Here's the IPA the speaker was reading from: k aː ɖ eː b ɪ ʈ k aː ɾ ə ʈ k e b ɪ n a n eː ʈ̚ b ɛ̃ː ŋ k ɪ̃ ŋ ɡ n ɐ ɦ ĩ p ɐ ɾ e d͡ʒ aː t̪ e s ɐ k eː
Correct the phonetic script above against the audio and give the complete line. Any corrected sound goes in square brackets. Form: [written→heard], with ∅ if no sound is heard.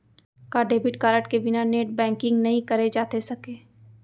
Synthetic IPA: k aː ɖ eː b ɪ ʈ k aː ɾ ə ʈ k e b ɪ n a n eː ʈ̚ b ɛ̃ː ŋ k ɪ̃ ŋ ɡ n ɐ ɦ ĩ [p→k] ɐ ɾ e d͡ʒ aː t̪ e s ɐ k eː